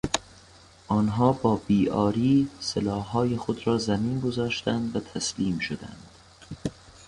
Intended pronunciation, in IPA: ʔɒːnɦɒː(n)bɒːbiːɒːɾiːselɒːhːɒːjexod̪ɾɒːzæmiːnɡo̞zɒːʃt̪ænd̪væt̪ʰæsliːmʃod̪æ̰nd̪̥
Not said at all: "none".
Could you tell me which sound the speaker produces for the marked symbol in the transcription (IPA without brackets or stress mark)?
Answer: none